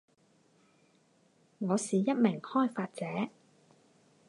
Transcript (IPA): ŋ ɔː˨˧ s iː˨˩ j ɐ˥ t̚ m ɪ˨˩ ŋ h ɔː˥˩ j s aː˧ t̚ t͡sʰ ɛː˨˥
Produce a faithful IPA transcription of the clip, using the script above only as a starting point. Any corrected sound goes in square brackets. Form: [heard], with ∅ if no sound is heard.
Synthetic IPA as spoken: ŋ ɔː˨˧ s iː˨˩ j ɐ˥ t̚ m ɪ˨˩ ŋ h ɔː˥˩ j [f] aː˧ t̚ [t͡s] ɛː˨˥